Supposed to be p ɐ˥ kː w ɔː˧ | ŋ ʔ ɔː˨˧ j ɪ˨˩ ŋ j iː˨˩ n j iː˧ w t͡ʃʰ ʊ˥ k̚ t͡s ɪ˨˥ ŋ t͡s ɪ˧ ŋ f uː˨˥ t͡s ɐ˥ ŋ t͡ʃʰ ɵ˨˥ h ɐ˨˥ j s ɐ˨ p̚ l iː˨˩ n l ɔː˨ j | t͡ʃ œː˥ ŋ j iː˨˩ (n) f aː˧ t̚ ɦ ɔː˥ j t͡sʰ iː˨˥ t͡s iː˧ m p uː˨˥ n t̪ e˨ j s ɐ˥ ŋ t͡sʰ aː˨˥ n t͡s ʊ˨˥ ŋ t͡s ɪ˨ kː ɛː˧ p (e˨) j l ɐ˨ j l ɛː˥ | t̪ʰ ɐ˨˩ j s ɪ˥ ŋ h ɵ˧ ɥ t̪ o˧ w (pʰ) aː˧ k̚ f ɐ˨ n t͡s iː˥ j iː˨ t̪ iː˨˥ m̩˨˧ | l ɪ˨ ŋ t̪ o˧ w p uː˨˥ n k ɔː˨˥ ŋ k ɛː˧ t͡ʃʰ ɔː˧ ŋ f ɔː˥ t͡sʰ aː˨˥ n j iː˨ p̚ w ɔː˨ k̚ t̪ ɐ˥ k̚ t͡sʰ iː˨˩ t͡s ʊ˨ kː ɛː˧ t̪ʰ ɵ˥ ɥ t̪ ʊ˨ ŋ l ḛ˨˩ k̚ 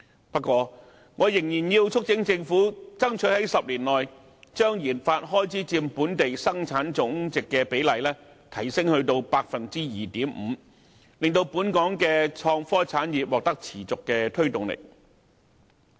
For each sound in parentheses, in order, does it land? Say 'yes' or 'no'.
yes, no, no

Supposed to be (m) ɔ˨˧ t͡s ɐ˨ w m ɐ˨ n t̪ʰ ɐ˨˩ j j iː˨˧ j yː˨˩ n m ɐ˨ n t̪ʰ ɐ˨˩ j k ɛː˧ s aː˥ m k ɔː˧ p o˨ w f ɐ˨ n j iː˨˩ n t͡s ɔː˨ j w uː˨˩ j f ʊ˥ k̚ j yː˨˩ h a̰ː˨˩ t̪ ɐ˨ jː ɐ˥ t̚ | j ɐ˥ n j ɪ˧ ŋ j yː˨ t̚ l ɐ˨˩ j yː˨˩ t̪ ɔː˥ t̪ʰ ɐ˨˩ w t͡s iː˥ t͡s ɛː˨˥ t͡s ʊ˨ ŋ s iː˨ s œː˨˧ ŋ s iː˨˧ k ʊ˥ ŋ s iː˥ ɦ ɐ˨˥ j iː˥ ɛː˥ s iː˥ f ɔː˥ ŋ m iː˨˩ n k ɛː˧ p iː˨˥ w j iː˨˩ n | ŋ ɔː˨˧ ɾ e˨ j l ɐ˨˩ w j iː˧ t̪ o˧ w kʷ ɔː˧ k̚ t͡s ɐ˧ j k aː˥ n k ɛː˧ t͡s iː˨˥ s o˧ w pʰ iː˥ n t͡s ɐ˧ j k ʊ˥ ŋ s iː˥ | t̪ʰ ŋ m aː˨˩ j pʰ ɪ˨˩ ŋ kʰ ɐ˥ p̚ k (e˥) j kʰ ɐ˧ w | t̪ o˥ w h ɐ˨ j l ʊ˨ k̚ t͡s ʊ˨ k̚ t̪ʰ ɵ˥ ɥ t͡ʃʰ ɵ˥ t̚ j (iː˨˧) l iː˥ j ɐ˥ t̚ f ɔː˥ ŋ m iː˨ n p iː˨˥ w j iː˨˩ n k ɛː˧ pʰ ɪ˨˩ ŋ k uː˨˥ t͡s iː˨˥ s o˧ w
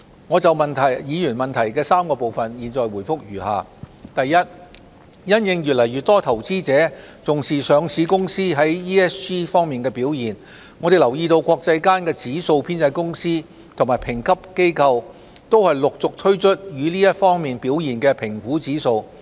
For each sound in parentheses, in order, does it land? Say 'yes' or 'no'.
no, yes, no

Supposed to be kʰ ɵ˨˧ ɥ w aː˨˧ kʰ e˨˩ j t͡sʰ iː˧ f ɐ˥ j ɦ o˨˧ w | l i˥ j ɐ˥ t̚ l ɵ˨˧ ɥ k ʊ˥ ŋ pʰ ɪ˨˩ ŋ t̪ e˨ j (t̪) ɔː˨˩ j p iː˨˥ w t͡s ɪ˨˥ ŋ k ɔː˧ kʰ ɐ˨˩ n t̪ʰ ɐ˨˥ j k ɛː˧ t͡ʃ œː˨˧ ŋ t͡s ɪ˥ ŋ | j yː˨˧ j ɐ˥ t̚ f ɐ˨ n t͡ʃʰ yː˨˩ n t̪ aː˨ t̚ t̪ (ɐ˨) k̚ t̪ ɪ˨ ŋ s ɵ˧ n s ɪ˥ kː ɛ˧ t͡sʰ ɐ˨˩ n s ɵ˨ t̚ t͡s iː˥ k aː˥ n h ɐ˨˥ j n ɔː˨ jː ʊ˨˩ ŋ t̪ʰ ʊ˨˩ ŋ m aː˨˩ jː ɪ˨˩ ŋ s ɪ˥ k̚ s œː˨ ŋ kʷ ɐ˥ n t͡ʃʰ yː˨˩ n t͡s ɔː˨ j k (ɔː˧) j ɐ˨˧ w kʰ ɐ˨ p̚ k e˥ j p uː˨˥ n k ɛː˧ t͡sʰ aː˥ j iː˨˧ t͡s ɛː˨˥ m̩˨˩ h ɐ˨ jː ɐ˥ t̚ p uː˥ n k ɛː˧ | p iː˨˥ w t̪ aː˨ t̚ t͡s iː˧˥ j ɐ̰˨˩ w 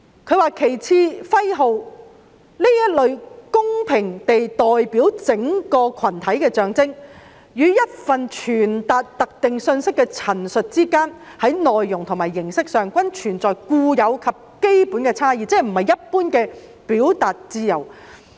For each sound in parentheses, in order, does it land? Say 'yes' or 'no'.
yes, yes, no

